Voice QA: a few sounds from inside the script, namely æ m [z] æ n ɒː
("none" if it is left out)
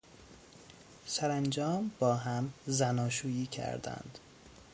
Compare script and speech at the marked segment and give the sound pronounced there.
z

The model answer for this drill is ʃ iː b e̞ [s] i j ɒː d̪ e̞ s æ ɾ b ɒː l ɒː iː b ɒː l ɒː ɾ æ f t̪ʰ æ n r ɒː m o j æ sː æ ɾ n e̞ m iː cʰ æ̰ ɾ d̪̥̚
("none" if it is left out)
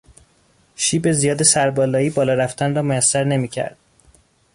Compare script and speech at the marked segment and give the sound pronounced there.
z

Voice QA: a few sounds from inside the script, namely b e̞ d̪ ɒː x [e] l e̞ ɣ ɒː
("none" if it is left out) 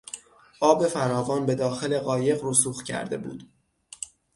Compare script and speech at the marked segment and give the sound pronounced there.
e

